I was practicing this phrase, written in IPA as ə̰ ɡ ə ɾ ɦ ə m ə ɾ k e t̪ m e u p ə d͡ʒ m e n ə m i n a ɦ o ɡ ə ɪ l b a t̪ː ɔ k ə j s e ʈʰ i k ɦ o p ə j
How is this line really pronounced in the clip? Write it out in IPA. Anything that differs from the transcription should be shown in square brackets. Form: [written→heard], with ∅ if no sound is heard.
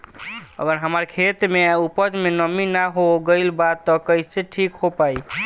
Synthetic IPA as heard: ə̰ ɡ ə ɾ ɦ ə m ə ɾ [k→kʰ] e t̪ m e u p ə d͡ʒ m e n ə m i n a ɦ o ɡ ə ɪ l b a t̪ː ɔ k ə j s e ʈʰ i k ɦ o p [ə→a] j